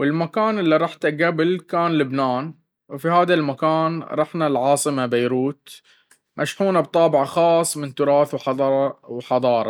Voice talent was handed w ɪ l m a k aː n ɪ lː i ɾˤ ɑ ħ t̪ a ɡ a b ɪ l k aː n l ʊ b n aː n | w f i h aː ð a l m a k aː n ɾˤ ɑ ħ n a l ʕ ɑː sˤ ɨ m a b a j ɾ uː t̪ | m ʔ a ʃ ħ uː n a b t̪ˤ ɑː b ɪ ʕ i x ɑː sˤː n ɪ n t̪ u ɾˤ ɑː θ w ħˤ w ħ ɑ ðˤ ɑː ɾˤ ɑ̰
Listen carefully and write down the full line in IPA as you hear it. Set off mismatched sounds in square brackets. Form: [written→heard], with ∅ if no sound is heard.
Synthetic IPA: w ɪ l m a k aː n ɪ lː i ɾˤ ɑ ħ t̪ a ɡ a b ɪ l k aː n l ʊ b n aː n | w f i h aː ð a l m a k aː n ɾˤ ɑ ħ n a l ʕ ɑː sˤ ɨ m a b a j ɾ uː t̪ | m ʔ a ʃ ħ uː n a b t̪ˤ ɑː b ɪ ʕ [i→a] x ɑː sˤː [n→m] ɪ n t̪ [u→ʊ] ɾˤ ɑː θ w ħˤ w ħ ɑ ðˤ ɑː ɾˤ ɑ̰